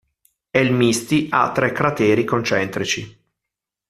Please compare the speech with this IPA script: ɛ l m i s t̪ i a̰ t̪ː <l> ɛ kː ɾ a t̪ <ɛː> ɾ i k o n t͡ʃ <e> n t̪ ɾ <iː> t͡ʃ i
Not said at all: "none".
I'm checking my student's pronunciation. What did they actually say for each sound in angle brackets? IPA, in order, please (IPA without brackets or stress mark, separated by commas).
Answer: ɾ, ɛː, ɛ, i